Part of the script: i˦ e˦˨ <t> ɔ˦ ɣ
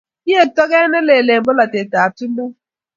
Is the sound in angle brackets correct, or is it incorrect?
correct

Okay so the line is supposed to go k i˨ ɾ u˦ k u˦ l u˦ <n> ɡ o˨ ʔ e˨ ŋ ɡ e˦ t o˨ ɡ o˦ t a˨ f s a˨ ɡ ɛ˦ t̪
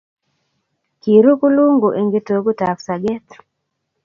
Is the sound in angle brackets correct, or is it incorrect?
incorrect: ŋ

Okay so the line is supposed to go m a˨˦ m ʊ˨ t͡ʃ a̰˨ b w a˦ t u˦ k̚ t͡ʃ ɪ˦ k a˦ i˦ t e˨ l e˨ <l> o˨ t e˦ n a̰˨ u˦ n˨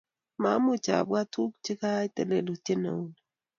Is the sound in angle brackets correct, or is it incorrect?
correct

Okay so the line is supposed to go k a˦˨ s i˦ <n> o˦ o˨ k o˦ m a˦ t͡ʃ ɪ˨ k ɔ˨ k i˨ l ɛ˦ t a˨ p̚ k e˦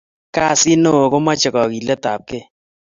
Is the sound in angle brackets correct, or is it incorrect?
correct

